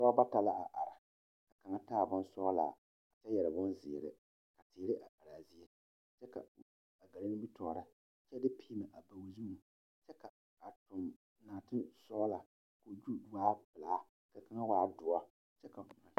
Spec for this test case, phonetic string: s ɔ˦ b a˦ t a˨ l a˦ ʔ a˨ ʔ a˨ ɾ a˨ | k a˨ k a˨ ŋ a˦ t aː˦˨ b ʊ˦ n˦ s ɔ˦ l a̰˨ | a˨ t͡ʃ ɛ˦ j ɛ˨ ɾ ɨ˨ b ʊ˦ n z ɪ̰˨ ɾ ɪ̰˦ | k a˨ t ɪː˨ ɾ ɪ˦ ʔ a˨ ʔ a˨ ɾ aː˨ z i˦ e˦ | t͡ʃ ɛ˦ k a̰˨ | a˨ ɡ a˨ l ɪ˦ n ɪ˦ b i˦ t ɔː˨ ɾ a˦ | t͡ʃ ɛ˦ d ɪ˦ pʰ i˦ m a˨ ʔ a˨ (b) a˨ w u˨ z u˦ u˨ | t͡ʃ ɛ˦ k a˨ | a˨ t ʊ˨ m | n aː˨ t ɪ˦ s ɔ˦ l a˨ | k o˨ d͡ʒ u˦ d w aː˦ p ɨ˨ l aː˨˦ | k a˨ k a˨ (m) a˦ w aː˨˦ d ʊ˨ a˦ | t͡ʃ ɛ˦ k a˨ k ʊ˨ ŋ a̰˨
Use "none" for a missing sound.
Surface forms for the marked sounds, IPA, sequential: b, ŋ

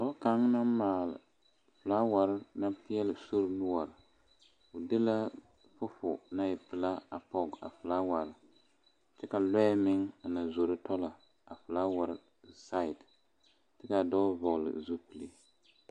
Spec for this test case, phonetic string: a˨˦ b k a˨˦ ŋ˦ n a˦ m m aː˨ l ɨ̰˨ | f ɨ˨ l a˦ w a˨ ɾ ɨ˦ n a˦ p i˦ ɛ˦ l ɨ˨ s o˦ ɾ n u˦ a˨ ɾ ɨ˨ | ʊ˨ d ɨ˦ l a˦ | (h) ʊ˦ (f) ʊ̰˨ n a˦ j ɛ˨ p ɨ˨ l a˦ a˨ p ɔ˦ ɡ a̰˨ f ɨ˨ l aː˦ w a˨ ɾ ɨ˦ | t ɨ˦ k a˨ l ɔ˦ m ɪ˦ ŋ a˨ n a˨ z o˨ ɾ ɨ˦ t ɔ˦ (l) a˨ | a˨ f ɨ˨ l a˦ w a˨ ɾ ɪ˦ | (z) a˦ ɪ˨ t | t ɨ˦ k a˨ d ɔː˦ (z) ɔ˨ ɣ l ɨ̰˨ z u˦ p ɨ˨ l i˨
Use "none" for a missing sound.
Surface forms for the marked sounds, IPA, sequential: f, f, l, s, v

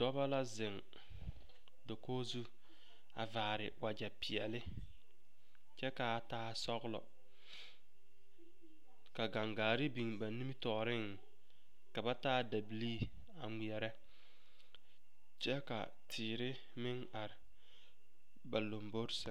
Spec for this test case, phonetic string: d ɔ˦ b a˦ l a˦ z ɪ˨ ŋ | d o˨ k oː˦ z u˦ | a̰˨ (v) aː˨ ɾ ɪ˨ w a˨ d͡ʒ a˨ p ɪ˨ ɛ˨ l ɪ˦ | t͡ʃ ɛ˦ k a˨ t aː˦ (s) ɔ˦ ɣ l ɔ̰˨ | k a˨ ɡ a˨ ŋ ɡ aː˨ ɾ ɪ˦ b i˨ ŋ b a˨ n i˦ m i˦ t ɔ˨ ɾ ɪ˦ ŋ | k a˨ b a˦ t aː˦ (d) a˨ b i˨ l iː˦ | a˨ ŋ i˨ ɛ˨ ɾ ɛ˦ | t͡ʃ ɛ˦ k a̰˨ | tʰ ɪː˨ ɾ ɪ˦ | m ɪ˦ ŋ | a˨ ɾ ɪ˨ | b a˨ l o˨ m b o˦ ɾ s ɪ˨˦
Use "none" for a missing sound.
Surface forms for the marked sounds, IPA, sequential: v, s, d

